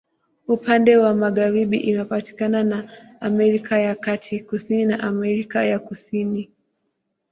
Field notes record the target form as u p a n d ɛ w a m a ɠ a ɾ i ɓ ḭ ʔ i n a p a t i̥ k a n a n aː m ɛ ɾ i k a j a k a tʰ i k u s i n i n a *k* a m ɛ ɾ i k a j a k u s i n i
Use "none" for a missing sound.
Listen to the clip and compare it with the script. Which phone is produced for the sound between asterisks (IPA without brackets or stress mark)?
ʔ